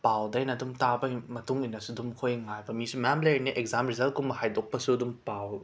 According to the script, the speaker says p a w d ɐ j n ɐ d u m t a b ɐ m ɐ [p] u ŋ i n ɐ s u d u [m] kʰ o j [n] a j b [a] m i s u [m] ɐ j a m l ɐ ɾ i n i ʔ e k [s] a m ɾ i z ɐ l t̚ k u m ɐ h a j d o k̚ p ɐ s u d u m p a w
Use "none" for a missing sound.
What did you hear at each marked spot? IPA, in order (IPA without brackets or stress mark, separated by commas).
t, m, ŋ, ɐ, m, z